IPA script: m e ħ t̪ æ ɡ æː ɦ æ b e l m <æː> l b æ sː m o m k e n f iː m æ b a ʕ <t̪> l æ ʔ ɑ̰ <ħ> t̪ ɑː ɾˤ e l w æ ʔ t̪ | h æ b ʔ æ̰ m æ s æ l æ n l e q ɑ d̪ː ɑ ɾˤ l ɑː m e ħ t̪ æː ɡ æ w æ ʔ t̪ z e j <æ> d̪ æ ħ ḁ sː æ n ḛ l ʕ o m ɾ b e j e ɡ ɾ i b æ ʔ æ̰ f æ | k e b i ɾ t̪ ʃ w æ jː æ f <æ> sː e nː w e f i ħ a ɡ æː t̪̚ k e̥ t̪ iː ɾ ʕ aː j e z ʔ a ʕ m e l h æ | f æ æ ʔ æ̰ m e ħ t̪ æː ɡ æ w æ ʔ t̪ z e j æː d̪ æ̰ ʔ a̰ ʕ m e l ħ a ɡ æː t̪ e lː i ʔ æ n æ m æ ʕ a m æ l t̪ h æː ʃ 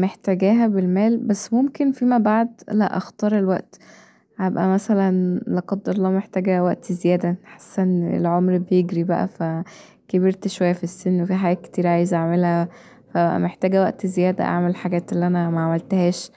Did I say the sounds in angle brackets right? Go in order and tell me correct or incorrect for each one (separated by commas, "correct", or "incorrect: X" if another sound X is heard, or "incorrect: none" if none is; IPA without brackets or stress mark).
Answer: correct, incorrect: d̪, incorrect: x, incorrect: æː, incorrect: i